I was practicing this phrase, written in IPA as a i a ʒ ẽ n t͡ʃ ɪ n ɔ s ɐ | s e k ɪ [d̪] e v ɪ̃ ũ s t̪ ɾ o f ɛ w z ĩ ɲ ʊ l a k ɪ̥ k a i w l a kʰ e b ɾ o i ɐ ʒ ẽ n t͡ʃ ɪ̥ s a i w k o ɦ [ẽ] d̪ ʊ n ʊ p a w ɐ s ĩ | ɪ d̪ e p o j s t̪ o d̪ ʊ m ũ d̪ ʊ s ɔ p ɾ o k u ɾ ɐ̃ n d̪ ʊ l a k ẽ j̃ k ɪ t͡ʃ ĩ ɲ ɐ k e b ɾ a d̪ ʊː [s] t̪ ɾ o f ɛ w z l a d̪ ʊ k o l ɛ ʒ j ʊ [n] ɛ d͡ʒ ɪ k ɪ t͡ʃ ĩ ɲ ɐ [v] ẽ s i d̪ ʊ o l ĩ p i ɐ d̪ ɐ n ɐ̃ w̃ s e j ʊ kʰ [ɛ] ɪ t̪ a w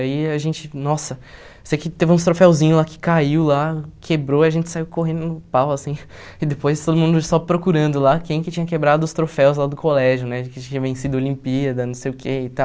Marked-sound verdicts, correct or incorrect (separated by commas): incorrect, correct, correct, correct, correct, incorrect